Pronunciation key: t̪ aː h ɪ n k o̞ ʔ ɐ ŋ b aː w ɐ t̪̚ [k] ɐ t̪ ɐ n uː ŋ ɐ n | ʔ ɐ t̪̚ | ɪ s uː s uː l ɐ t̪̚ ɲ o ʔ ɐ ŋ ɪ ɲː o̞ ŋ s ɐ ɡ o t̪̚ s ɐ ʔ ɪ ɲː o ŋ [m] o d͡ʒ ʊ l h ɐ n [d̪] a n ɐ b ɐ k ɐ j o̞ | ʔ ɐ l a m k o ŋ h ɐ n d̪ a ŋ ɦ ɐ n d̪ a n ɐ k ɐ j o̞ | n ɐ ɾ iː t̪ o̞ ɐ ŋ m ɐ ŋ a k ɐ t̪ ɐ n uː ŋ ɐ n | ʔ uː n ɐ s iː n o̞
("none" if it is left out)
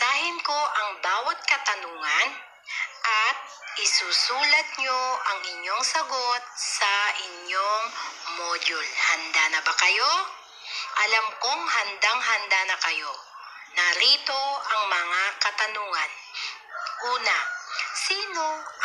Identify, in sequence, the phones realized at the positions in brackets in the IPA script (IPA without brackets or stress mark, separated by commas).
k, m, d̪